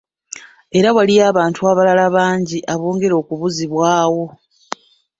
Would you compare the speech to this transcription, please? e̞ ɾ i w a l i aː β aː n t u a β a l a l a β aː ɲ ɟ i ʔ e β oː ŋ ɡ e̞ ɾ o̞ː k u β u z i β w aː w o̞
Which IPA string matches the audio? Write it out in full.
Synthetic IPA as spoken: e̞ ɾ a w a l i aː β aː n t u a β a l a l a β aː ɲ ɟ i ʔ a β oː ŋ ɡ e̞ ɾ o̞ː k u β u z i β w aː w o̞

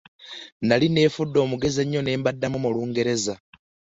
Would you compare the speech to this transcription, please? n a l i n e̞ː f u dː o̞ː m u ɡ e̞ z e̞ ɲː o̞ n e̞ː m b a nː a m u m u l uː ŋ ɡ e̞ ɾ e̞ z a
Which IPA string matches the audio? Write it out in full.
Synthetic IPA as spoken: n a l i n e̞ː f u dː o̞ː m u ɡ e̞ z e̞ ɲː o̞ n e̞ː m b a dː a m u m u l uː ŋ ɡ e̞ ɾ e̞ z a

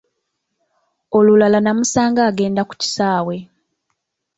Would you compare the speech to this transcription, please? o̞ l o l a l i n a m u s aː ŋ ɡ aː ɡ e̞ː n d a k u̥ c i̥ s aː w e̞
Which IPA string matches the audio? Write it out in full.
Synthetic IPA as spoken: o̞ l u l a l a n a m u s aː ŋ ɡ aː ɡ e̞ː n d a k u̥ c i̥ s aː w e̞

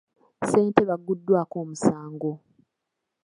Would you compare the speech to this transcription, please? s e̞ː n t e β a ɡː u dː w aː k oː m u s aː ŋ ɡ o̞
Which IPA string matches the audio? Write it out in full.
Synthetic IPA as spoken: s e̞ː n t e β a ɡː u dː w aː k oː m u s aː ŋ ɡ o̞

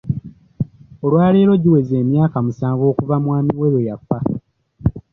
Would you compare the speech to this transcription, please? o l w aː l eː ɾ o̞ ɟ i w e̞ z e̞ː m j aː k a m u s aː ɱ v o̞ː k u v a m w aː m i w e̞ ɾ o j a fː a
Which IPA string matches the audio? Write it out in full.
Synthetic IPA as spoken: o l w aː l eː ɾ o̞ ɟ i w e̞ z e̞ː m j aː k a m u s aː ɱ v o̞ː k u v a m w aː m i w e̞ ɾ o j a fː a

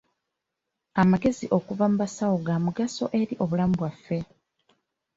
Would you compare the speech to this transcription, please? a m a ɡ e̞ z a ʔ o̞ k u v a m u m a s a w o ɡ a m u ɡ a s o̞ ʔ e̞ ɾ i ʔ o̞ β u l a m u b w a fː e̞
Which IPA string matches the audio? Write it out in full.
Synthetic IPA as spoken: a m a ɡ e̞ z i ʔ o̞ k u v a m u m a s a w o ɡ a m u ɡ a s o̞ ʔ e̞ ɾ i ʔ o̞ β u l a m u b w a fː e̞

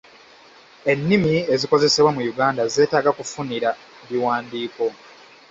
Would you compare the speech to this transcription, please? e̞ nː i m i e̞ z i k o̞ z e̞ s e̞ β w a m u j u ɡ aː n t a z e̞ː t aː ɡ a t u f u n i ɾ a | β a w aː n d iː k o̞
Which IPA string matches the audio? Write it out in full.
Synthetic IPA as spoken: e̞ nː i m i e̞ z i k o̞ z e̞ s e̞ β w a m u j u ɡ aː n d a z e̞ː t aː ɡ a k u f u n i ɾ a | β i w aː n d iː k o̞

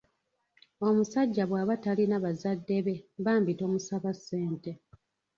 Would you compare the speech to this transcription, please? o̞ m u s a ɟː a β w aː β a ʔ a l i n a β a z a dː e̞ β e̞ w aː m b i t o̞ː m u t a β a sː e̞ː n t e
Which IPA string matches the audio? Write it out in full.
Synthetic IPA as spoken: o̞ m u s a ɟː a β w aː β a t a l i n a β a z a dː e̞ β e̞ β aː m b i t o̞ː m u s a β a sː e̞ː n t e

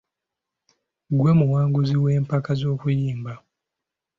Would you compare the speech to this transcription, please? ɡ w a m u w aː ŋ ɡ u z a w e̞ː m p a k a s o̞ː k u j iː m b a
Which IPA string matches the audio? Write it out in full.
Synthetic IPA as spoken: ɡ w e m u w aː ŋ ɡ u z i w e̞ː m p a k a z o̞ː k u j iː m b a

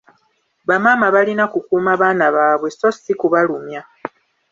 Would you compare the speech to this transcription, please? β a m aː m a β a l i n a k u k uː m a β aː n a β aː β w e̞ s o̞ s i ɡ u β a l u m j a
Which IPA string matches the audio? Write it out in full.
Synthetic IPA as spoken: β a m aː m a β a l i n a k u k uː m a β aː n a β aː β w e̞ s o̞ s i k u β a l u m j a

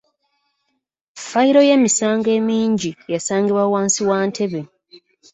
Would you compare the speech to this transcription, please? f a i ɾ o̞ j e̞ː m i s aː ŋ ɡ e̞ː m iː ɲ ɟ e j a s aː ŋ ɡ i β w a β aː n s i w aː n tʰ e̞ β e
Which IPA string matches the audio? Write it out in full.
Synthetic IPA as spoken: f a i ɾ o̞ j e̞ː m i s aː ŋ ɡ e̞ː m iː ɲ ɟ i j a s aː ŋ ɡ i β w a w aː n s i w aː n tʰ e̞ β e

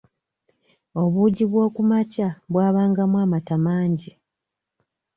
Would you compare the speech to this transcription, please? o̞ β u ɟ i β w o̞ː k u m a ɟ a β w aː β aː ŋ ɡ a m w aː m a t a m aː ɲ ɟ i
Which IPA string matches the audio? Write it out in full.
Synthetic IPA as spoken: o̞ β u ɟ i β w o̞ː k u m a c a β w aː β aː ŋ ɡ a m w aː m a t a m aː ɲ ɟ i

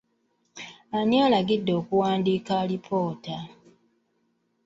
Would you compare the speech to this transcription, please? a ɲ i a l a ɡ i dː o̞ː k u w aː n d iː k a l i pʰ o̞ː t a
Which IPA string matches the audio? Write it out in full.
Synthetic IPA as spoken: a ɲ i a l a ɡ i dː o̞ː k u w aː n d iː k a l i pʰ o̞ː t a

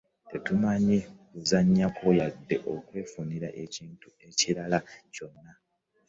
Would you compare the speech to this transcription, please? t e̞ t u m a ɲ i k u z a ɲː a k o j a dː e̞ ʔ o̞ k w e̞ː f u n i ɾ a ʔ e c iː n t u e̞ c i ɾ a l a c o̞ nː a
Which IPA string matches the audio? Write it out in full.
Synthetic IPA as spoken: t e̞ t u m a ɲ i k u z a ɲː a k o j a dː e̞ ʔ o̞ k w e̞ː f u n i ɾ a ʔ e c iː n t u e̞ c i ɾ a l a c o̞ nː a

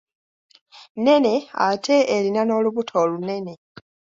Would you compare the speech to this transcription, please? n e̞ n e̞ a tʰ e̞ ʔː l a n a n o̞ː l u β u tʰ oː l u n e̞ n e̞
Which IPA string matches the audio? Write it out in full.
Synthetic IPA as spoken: n e̞ n e̞ a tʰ e̞ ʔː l i n a n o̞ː l u β u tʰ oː l u n e̞ n e̞

